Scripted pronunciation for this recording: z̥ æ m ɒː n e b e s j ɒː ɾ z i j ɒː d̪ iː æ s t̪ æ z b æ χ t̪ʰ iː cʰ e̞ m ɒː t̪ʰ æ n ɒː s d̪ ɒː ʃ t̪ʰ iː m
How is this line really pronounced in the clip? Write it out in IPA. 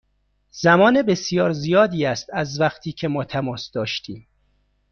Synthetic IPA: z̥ æ m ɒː n e b e s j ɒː ɾ z i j ɒː d̪ iː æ s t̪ æ z v æ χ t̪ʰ iː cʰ e̞ m ɒː t̪ʰ æ m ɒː s d̪ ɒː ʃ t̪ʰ iː m